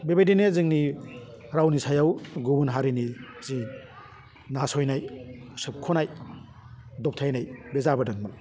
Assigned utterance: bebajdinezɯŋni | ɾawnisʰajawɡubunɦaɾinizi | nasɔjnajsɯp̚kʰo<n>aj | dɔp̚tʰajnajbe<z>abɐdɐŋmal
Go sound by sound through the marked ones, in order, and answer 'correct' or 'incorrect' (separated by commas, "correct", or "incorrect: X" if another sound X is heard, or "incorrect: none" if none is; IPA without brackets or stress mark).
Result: correct, correct